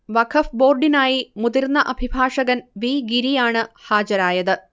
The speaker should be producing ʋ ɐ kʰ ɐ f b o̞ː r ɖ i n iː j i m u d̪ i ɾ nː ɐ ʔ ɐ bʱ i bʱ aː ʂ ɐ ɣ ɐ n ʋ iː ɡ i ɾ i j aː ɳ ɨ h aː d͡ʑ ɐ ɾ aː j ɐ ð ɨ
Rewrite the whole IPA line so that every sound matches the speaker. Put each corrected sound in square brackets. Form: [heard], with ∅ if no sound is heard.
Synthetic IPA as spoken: ʋ ɐ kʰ ɐ f b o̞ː r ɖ i n [aː] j i m u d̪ i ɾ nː ɐ ʔ ɐ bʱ i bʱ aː ʂ ɐ ɣ ɐ n ʋ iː ɡ i ɾ i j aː ɳ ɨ h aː d͡ʑ ɐ ɾ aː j ɐ ð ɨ